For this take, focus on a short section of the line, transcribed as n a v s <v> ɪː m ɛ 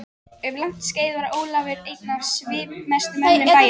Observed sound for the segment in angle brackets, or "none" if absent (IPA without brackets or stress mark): v